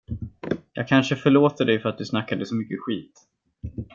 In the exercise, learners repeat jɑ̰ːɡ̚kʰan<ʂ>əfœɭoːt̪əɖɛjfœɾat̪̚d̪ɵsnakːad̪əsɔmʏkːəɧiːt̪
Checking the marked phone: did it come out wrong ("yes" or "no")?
no